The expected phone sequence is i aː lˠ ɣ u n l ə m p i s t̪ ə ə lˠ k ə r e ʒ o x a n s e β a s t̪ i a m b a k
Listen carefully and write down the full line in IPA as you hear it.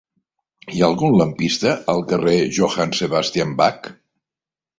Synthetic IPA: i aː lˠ ɣ u n l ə m p i s t̪ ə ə lˠ k ə r e ʒ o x a n s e β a s t̪ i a m b a k